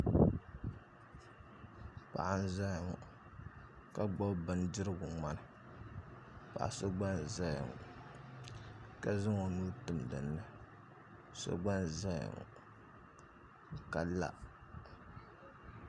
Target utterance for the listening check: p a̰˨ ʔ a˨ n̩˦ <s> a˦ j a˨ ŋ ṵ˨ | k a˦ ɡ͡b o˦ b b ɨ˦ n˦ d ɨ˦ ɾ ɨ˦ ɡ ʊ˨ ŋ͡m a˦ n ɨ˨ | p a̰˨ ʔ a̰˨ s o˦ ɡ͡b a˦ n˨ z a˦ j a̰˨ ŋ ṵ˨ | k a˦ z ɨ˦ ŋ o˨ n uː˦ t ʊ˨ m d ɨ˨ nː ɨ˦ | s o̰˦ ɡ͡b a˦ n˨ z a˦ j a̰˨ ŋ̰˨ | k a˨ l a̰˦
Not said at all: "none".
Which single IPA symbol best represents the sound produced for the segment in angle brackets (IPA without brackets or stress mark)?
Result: z